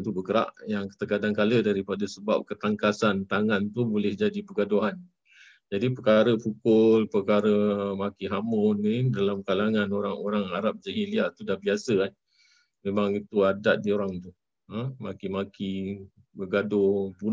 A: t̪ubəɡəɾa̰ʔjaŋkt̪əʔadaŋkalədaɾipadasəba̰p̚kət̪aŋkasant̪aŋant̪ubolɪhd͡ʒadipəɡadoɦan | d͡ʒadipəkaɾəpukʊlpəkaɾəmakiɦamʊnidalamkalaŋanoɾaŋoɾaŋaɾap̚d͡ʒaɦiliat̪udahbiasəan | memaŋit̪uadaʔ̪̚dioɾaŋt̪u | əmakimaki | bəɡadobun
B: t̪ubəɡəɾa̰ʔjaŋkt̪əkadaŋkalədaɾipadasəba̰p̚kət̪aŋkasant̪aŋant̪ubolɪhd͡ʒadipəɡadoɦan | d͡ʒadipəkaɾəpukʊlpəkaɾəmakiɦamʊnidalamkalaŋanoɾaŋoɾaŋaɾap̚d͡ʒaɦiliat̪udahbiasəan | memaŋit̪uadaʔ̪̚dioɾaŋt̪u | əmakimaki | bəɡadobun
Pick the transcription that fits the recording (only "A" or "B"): B